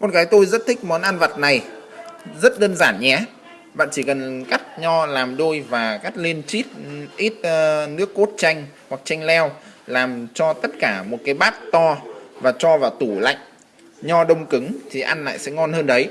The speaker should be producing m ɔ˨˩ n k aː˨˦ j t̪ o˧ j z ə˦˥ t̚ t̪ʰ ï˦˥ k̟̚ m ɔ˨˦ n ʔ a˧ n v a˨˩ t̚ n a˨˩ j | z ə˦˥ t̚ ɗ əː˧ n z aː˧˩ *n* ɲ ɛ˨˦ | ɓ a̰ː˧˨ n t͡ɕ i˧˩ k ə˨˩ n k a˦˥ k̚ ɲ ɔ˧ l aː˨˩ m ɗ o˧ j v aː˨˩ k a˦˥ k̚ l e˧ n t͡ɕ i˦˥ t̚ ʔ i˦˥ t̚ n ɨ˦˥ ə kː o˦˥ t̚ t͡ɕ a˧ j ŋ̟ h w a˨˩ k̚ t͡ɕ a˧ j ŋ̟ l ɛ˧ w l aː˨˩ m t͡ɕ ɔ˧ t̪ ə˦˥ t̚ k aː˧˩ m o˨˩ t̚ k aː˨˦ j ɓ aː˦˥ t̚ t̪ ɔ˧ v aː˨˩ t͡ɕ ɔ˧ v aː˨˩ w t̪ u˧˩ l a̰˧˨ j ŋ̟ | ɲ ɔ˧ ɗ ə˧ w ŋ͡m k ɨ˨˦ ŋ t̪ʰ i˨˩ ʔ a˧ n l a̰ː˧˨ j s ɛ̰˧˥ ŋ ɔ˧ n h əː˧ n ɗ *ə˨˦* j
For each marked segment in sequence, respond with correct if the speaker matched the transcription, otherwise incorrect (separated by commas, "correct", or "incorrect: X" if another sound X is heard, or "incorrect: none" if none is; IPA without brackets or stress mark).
correct, correct